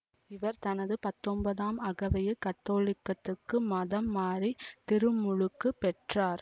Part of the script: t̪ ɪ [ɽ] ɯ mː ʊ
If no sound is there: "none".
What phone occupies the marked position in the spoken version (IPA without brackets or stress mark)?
ɾ